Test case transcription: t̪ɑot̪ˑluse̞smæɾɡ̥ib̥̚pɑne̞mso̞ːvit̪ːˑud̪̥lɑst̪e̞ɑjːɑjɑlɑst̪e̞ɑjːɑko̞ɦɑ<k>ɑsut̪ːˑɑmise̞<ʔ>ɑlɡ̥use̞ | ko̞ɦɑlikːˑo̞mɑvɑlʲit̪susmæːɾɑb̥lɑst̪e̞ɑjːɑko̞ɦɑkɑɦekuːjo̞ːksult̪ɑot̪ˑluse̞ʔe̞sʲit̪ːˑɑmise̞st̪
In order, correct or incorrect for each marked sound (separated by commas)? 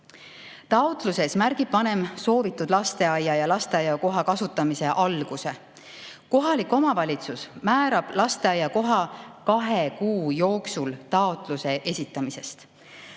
correct, correct